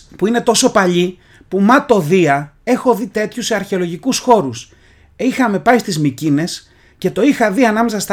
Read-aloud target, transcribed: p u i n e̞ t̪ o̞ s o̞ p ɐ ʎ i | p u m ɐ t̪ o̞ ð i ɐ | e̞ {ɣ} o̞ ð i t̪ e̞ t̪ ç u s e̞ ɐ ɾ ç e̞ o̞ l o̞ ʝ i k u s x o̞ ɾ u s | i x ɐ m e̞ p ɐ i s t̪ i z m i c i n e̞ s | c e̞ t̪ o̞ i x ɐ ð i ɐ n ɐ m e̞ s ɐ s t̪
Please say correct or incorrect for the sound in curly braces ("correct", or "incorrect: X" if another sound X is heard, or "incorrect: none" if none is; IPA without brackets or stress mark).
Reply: incorrect: x